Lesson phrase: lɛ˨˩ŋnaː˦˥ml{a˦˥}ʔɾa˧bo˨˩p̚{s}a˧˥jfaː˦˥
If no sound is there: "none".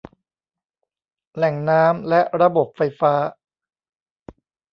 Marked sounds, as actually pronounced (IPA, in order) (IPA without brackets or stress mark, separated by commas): ɛ˦˥, f